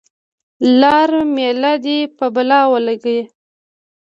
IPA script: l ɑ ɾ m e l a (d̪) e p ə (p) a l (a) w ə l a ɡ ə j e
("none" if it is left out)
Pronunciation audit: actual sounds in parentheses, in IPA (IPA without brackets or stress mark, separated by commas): d̪, b, ɑ